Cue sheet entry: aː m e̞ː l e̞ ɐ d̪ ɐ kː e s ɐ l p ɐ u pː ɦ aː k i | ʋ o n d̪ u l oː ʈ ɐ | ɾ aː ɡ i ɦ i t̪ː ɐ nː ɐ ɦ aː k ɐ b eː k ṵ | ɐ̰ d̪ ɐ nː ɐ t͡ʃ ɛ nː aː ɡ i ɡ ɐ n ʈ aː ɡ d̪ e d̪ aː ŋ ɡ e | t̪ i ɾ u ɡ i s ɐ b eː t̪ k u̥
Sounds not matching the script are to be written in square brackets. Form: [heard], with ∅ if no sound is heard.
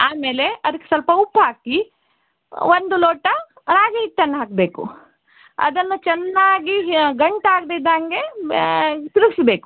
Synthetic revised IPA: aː m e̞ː l e̞ ɐ d̪ ɐ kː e s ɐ l p ɐ u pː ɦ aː k i | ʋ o n d̪ u l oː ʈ ɐ | ɾ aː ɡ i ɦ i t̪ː ɐ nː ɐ ɦ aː k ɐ b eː k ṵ | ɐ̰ d̪ ɐ nː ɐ t͡ʃ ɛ nː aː ɡ i ɡ ɐ [ɳ] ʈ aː ɡ d̪ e d̪ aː ŋ ɡ e | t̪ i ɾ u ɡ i s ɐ b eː [∅] k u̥